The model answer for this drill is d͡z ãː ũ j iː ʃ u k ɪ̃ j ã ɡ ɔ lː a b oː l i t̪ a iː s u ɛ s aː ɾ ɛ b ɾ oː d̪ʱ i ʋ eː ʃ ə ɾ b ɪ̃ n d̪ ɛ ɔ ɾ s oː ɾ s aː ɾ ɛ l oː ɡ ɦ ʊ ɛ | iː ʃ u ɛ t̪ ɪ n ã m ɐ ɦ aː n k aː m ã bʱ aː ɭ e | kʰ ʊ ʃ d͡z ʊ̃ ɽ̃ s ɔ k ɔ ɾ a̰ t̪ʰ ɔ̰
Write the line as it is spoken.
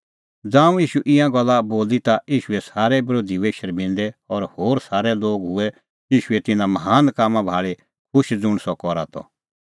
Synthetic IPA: d͡z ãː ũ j iː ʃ u ʔ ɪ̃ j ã ɡ ɔ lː a b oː l i t̪ a iː ʃ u ɛ s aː ɾ ɛ b ɾ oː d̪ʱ i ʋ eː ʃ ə ɾ b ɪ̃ n d̪ ɛ ɔ ɾ h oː ɾ s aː ɾ ɛ l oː ɡ ɦ ʊ ɛ | iː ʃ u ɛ t̪ ɪ n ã m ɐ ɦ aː n k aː m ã bʱ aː ɭ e | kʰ ʊ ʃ d͡z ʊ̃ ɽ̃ s ɔ k ɔ ɾ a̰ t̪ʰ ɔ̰